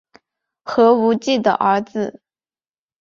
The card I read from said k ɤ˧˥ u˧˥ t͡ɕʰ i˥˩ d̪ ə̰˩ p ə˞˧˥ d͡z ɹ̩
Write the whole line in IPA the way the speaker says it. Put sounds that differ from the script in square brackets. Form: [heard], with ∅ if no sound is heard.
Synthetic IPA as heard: [x] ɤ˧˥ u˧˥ [t͡ɕ] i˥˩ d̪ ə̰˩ [ʔ] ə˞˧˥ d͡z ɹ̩